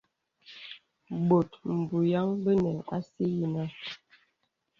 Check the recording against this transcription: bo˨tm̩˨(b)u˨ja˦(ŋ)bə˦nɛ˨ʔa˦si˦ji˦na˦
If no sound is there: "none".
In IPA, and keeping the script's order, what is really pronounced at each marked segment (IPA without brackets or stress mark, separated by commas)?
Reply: b, ŋ